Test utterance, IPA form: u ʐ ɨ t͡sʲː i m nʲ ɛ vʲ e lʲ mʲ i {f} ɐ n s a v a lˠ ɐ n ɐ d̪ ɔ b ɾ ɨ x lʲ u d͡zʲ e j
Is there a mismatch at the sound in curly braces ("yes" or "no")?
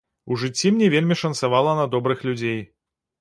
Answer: yes